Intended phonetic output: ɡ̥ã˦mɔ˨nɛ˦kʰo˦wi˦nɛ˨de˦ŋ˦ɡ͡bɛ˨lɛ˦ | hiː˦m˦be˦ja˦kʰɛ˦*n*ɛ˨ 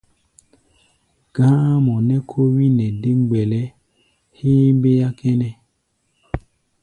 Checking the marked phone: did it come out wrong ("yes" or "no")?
no